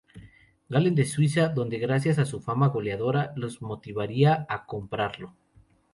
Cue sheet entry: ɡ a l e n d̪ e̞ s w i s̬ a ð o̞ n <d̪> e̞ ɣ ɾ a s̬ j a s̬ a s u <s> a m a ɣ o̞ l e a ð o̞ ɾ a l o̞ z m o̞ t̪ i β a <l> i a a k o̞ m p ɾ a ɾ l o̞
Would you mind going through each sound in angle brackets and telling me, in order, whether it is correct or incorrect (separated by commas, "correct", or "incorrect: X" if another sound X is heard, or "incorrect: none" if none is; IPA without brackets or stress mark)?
correct, incorrect: f, incorrect: ɾ